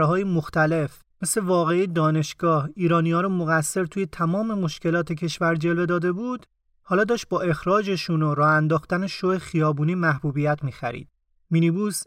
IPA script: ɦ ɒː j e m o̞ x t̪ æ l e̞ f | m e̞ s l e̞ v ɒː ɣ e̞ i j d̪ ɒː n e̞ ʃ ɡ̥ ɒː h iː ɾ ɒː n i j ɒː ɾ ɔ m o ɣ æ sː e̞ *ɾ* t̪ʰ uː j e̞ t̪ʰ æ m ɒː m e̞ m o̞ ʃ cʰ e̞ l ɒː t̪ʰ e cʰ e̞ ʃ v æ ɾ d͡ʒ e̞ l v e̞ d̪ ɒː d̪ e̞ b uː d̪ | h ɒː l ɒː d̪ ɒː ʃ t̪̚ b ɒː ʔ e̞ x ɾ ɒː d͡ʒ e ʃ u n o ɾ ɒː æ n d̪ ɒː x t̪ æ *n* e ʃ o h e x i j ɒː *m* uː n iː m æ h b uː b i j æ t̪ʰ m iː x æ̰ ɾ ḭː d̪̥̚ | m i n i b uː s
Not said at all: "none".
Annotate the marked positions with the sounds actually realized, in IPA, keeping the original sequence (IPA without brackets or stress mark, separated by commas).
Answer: ɾ, n, b